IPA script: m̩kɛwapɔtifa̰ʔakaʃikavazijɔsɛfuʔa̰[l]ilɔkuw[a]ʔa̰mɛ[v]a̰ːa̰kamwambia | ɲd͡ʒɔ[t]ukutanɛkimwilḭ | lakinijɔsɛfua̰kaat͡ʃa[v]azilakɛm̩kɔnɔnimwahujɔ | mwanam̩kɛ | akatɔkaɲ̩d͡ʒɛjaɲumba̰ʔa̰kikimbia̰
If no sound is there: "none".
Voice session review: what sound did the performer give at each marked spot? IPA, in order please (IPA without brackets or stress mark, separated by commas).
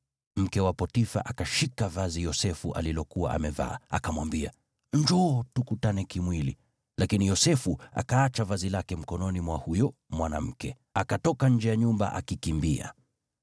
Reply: l, a, v, t, v